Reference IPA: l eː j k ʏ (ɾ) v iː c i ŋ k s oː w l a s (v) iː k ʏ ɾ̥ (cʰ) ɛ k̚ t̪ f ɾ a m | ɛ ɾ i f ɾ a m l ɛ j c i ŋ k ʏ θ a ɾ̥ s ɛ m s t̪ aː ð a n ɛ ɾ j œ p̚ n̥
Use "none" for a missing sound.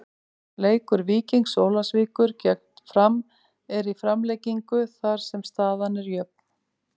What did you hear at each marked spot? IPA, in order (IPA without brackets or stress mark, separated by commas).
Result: ɾ, v, c